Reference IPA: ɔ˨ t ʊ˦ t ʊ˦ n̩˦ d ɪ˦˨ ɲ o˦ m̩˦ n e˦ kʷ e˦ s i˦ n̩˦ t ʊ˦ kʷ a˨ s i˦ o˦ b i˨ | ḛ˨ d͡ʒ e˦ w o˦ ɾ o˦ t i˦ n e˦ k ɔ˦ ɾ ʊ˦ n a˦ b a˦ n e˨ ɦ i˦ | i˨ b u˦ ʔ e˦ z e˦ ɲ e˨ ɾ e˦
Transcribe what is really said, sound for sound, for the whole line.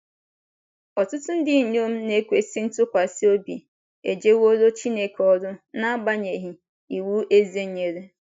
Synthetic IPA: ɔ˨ t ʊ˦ t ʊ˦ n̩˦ d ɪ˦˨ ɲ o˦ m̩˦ n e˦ kʷ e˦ s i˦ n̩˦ t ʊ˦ kʷ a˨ s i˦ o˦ b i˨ | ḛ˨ d͡ʒ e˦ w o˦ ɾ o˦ t͡ʃ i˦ n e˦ k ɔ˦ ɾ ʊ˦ n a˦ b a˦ ɲ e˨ ɦ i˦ | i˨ w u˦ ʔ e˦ z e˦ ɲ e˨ ɾ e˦